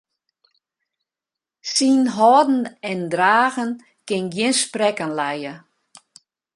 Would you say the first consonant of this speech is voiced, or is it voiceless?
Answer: voiceless